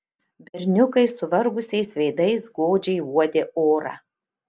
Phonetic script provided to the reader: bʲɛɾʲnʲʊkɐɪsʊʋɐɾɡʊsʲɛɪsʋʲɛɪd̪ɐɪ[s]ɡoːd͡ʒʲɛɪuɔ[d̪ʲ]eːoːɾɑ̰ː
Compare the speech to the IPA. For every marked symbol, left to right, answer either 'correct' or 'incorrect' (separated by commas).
correct, correct